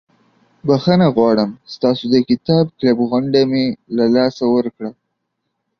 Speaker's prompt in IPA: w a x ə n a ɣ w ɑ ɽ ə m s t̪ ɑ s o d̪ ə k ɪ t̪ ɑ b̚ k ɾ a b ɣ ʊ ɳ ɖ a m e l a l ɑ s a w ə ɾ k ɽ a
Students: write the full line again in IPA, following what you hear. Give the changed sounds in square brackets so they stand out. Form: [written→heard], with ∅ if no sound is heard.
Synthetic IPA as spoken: [w→b] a x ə n a ɣ w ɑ ɽ ə m s t̪ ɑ s o d̪ ə k ɪ t̪ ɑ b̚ k [ɾ→l] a b ɣ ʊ ɳ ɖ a m e l a l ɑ s a w ə ɾ k ɽ a